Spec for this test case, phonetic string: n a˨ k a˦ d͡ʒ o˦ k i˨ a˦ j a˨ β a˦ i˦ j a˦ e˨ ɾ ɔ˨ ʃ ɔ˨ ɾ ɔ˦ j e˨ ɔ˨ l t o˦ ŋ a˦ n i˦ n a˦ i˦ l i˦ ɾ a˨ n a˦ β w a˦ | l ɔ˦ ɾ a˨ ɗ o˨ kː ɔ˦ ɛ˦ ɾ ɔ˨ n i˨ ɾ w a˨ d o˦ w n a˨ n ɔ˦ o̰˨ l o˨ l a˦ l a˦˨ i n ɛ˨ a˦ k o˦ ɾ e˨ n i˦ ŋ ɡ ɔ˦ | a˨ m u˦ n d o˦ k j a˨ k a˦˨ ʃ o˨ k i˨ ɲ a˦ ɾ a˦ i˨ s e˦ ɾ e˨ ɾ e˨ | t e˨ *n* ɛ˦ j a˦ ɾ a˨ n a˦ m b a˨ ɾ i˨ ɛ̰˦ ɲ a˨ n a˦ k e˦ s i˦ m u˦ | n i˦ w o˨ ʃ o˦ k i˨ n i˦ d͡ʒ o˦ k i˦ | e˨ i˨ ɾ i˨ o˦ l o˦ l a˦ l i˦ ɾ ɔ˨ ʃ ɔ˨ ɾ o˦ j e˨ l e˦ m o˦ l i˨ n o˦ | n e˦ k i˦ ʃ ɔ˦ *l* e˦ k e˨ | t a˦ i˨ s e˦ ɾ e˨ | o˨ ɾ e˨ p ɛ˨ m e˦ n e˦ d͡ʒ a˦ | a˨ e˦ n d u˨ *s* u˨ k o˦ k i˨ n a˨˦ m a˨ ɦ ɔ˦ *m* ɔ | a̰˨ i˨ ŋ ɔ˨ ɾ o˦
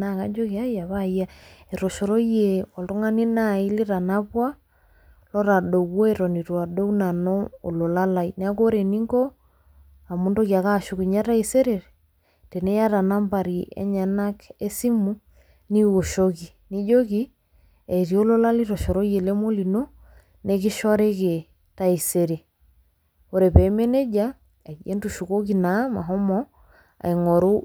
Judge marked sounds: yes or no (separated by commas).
yes, no, no, yes